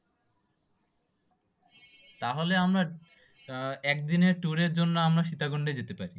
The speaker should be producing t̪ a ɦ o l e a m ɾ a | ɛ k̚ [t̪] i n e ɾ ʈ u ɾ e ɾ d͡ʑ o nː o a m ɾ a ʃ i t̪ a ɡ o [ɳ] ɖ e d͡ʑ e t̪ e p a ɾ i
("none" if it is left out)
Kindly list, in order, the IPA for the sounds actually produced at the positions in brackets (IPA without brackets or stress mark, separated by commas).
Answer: d̪, ɳ